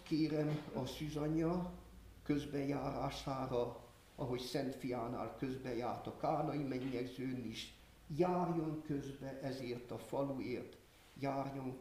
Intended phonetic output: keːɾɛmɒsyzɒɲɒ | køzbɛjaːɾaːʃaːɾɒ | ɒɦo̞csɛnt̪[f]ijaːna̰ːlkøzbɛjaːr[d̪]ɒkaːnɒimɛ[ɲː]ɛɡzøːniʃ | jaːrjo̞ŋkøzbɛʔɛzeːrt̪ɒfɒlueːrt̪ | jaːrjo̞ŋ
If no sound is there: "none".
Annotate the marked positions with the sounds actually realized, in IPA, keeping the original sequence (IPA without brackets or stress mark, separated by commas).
f, t̪, ɲː